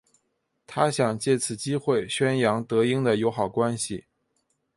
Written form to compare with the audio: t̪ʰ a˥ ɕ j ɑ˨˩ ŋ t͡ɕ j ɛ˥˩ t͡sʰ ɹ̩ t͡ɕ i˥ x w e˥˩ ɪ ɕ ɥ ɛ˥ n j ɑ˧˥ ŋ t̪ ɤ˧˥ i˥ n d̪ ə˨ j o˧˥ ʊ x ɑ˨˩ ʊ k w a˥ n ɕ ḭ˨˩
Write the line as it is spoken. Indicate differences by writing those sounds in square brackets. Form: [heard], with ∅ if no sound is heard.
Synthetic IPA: t̪ʰ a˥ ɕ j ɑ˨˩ ŋ t͡ɕ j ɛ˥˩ t͡sʰ ɹ̩ t͡ɕ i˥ x w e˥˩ ɪ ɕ ɥ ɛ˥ n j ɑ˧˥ ŋ t̪ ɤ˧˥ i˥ [ŋ] d̪ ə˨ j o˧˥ ʊ x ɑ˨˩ ʊ k w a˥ n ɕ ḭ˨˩

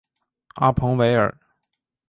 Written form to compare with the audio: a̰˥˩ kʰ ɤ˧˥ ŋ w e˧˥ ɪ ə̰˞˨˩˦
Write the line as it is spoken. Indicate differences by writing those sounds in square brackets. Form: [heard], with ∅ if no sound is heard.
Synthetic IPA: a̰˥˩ [pʰ] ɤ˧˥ ŋ w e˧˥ ɪ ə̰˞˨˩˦

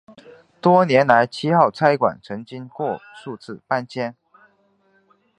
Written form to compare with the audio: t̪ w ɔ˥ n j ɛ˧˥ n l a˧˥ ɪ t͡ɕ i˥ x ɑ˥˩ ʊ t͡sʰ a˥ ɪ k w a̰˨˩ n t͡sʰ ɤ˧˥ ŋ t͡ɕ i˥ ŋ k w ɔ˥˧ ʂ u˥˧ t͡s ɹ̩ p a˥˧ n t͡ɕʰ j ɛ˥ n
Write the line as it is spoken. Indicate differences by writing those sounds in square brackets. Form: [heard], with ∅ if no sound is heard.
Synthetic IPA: t̪ w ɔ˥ n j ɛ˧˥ n l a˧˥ ɪ [t͡ɕʰ] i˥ x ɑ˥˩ ʊ t͡sʰ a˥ ɪ k w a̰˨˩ n t͡sʰ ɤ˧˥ ŋ t͡ɕ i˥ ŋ k w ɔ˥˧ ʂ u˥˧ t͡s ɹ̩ p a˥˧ n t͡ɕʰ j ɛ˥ n

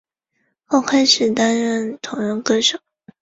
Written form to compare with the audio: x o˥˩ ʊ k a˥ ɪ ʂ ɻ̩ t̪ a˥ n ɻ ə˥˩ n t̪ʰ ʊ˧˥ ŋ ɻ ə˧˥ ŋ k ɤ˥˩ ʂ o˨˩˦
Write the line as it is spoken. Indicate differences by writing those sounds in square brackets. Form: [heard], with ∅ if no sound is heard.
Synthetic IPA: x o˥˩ ʊ [kʰ] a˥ ɪ ʂ ɻ̩ t̪ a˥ n ɻ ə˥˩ n t̪ʰ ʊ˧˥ ŋ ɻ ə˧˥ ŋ k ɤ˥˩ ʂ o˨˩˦

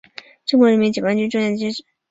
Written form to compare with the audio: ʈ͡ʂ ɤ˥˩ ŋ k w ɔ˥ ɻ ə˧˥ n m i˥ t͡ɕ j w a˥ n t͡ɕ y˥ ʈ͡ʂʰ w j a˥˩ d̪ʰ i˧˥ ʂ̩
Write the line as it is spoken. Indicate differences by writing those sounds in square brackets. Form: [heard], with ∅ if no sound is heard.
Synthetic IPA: ʈ͡ʂ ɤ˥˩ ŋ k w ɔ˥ ɻ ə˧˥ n m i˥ t͡ɕ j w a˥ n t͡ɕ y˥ [ʈ͡ʂ] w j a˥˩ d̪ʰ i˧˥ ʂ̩

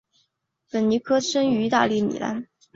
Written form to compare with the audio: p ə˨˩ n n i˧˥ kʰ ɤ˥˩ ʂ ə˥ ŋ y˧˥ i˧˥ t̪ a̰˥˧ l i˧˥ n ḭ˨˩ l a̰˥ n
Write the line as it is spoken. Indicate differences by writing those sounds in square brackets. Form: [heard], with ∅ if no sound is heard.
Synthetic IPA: p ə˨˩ n n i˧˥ kʰ [ɤ˥] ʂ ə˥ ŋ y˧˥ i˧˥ t̪ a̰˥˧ l [i˥˩] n ḭ˨˩ l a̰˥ n

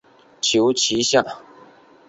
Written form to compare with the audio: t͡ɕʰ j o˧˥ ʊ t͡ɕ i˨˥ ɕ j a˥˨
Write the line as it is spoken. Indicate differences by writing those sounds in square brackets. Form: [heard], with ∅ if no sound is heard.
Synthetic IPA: t͡ɕʰ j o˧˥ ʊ [t͡ɕʰ] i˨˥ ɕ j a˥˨

